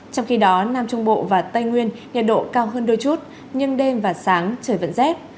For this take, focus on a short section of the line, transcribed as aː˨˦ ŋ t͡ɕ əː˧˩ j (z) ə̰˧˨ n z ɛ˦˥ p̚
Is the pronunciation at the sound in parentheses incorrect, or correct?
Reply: incorrect